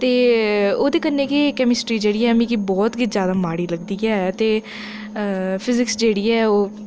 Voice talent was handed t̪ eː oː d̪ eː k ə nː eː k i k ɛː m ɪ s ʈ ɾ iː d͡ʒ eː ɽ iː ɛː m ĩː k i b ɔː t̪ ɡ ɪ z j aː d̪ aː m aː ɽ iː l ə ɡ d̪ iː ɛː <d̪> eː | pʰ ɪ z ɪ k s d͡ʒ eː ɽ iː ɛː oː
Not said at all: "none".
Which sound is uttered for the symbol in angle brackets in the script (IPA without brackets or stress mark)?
t̪